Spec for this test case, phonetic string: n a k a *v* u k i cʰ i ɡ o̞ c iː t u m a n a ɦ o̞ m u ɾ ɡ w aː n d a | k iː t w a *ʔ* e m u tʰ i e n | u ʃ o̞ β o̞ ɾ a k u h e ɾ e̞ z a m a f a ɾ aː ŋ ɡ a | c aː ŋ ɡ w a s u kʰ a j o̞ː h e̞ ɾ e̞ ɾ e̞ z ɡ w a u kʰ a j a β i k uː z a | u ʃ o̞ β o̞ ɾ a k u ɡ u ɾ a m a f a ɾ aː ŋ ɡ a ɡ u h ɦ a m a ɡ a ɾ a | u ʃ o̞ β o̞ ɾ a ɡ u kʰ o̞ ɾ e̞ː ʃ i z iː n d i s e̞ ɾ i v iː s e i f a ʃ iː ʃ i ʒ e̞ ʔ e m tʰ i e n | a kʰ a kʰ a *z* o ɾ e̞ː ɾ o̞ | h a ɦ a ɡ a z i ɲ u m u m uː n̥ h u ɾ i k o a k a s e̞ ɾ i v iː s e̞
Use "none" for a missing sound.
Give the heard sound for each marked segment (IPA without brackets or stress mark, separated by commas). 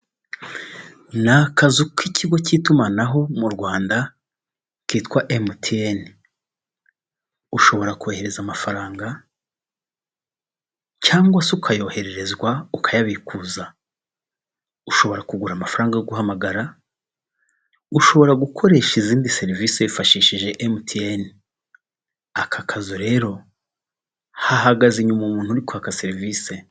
z, ʔ, z